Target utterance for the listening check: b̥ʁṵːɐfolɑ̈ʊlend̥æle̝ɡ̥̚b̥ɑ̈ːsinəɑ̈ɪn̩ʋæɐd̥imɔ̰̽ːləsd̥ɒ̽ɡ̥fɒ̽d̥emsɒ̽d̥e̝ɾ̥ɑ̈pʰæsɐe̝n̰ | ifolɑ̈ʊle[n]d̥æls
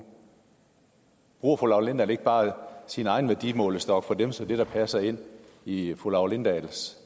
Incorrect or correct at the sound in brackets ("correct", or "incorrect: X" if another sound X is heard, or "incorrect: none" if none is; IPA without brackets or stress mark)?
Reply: correct